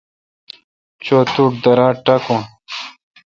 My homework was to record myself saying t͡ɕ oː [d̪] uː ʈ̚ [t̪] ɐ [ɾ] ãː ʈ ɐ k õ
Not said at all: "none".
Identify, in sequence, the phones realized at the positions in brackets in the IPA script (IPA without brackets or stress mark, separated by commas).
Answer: t̪, d̪, ɾ